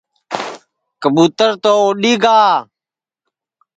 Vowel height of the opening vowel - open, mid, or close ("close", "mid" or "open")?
mid